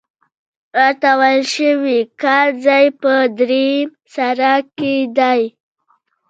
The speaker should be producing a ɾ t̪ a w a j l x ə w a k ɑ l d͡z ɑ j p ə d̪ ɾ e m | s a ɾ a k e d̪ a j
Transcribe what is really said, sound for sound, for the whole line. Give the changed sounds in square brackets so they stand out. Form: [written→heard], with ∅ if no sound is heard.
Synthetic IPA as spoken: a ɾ t̪ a w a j l [x→ʃ] ə w [a→i] k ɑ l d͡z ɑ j p ə d̪ ɾ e m | s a ɾ a k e d̪ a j